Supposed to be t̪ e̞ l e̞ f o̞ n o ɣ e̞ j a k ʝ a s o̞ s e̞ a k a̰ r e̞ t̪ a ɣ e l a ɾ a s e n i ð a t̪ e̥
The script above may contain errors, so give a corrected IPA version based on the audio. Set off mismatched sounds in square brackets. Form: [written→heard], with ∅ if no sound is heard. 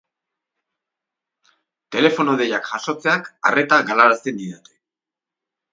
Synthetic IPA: t̪ e̞ l e̞ f o̞ n o [ɣ→ð] e̞ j a k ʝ a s o̞ [s→t͡s] e̞ a k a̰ r e̞ t̪ a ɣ [e→a] l a ɾ a s e n i ð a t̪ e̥